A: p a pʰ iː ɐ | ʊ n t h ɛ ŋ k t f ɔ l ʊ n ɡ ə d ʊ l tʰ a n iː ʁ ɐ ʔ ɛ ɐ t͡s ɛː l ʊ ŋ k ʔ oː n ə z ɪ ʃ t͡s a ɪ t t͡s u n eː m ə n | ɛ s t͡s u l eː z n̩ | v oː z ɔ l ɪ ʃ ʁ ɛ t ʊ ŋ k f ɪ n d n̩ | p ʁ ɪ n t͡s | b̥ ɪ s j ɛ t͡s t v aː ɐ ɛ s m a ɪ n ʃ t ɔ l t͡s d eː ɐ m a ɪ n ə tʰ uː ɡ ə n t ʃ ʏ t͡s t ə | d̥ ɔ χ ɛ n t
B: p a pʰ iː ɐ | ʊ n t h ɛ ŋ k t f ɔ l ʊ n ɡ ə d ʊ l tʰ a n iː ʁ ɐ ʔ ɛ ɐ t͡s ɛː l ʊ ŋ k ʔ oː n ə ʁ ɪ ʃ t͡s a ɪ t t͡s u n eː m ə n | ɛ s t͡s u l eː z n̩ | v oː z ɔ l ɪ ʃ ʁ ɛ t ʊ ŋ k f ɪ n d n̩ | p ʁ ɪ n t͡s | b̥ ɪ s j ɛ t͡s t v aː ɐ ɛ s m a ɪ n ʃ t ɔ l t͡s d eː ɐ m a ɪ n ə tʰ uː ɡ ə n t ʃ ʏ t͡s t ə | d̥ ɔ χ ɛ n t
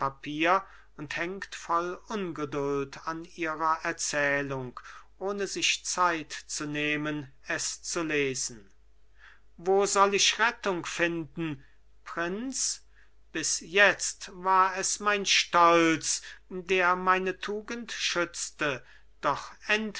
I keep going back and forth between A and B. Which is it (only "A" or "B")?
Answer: A